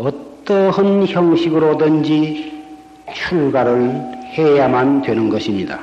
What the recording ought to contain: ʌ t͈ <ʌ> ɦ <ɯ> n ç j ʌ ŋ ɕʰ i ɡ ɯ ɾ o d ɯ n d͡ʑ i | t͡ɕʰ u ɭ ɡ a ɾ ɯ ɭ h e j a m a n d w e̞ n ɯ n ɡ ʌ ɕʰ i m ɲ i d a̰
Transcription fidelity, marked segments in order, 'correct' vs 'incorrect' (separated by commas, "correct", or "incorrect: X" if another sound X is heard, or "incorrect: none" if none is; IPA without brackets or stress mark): correct, correct